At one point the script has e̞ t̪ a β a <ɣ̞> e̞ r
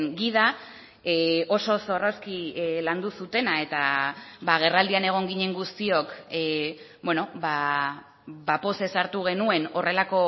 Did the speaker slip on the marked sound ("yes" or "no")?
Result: no